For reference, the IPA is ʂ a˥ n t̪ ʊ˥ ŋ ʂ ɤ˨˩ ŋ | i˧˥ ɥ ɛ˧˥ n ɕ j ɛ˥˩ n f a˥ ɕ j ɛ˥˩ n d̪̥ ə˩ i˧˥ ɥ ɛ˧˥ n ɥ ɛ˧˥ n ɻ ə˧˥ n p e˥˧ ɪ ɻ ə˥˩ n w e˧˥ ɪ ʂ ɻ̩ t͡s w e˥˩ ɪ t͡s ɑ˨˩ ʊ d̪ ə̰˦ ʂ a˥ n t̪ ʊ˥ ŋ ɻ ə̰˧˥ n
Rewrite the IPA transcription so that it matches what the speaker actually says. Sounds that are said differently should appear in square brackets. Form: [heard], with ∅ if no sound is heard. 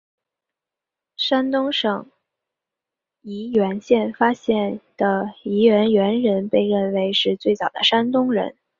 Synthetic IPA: ʂ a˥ n t̪ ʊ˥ ŋ ʂ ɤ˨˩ ŋ | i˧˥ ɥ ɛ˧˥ n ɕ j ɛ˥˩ n f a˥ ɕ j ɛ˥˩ n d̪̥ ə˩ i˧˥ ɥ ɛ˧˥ n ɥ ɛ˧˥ n ɻ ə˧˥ n p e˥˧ ɪ ɻ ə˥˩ n w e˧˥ ɪ ʂ ɻ̩ t͡s w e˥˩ ɪ t͡s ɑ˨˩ ʊ d̪ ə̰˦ ʂ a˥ n t̪ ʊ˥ ŋ ɻ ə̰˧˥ n